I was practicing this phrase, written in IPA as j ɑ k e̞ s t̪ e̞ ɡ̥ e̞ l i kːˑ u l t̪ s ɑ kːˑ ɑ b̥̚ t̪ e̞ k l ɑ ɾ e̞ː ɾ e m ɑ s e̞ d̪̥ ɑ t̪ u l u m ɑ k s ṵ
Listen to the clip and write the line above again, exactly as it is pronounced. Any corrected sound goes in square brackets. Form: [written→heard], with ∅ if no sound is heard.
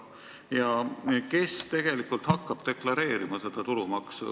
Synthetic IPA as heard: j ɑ k e̞ s t̪ e̞ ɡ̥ e̞ l i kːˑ u l t̪ [s→h] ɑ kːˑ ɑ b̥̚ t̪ e̞ k l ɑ ɾ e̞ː ɾ [e→i] m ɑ s e̞ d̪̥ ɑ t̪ u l u m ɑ k s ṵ